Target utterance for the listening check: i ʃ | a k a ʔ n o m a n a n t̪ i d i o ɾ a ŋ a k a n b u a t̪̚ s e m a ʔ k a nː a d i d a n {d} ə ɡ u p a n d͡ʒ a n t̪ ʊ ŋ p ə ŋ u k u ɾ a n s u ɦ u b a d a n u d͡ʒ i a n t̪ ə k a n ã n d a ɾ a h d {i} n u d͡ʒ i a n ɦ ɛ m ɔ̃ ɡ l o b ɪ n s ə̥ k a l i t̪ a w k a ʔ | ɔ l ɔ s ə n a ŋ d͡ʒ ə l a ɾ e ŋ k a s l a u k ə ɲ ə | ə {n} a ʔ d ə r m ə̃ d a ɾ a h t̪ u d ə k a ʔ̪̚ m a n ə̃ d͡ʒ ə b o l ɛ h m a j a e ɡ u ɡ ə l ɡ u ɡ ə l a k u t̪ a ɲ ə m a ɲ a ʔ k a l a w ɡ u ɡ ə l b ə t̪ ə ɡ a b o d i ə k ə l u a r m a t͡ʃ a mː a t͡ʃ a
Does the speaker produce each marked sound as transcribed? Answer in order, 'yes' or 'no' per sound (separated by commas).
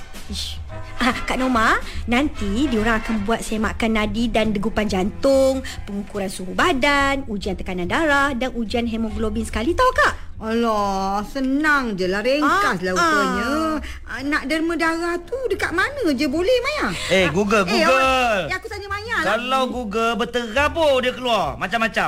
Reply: yes, no, yes